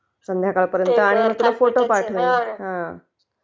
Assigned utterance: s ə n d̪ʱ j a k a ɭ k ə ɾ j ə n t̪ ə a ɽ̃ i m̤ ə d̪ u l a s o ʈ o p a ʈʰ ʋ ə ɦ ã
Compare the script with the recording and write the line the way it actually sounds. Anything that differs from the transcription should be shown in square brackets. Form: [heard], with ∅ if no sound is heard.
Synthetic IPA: s ə n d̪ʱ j a k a ɭ [p] ə ɾ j ə n t̪ ə a ɽ̃ i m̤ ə [t̪] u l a [f] o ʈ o p a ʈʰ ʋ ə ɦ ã